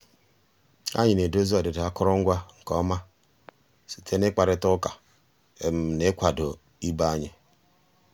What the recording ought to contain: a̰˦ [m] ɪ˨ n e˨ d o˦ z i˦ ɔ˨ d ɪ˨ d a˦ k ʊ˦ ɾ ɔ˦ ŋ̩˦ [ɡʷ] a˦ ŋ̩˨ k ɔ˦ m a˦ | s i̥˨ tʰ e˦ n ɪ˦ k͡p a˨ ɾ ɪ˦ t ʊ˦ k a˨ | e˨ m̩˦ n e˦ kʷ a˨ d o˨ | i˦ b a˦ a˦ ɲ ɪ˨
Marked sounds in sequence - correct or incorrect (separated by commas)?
incorrect, correct